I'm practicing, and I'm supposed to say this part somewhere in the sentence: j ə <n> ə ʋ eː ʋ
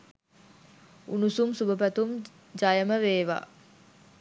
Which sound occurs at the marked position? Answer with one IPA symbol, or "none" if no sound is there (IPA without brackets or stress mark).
m